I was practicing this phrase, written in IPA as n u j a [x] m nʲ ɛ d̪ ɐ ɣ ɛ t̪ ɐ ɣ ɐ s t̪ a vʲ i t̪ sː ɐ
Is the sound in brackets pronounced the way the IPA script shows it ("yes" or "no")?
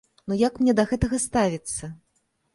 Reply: no